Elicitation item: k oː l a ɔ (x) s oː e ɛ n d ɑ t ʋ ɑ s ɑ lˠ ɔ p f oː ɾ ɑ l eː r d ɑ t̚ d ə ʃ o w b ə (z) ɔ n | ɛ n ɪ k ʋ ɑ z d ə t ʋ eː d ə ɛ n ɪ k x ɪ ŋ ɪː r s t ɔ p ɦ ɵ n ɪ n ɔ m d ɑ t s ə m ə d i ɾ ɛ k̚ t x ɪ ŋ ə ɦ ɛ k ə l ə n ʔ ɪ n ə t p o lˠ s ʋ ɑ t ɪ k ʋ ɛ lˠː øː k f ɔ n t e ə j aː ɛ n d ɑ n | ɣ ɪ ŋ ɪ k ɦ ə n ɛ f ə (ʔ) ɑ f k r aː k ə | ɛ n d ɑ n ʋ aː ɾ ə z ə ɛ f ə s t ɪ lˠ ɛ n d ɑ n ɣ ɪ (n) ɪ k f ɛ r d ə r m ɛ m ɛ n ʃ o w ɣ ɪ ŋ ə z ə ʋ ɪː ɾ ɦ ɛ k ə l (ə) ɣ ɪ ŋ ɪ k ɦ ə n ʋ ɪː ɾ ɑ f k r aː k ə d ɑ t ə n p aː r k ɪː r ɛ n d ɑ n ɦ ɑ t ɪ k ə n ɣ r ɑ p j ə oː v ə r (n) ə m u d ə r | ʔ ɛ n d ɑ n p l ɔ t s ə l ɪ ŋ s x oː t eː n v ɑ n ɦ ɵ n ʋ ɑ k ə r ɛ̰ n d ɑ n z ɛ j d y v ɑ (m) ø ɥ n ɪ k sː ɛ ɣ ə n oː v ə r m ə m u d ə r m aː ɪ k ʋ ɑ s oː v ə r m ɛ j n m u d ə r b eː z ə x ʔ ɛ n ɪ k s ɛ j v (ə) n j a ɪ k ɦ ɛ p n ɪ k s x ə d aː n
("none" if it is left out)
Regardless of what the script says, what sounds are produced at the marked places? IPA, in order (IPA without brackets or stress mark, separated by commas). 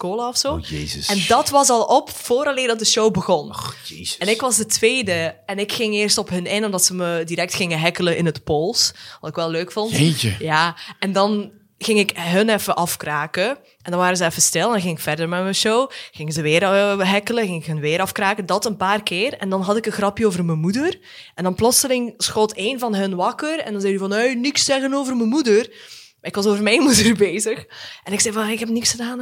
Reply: f, ɣ, ʔ, ŋ, ə, m, n, ɑ